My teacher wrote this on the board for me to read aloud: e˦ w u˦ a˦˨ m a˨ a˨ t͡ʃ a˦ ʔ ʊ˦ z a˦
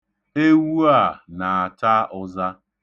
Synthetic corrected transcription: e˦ w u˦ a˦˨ n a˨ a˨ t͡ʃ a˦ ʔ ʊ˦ z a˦